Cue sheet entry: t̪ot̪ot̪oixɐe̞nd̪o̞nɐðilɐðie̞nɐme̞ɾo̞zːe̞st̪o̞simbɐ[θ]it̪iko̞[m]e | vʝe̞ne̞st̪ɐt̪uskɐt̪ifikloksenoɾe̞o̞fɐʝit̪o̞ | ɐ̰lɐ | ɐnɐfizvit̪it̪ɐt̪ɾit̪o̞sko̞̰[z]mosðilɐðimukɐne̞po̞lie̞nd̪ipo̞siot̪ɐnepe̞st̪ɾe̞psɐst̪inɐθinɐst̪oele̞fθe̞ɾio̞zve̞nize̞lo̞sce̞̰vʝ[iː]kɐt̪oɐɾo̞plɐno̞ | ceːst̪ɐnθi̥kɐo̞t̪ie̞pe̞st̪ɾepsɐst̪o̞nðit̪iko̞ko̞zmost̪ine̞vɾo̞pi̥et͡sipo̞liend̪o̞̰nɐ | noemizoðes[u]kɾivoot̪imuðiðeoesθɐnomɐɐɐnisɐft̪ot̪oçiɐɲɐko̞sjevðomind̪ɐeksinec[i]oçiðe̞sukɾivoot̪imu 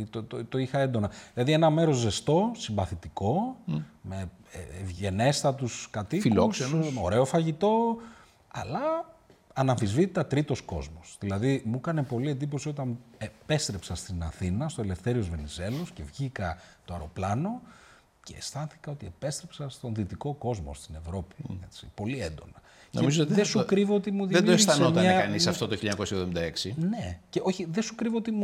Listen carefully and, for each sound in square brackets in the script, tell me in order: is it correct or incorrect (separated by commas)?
correct, correct, correct, incorrect, correct, incorrect